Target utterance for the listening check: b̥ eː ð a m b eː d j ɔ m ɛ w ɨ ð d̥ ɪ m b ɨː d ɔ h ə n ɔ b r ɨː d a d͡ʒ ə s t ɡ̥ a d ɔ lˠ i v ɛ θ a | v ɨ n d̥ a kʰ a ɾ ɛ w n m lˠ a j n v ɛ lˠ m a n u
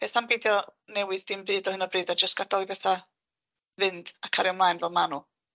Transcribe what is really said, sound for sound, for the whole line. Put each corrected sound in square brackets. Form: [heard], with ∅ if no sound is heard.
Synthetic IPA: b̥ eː [θ] a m b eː d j ɔ [n] ɛ w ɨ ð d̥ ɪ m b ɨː d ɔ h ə n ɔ b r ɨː d a d͡ʒ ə s t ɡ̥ a d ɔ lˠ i [b] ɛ θ a | v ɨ n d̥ a kʰ a ɾ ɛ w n m lˠ a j n v ɛ lˠ m a n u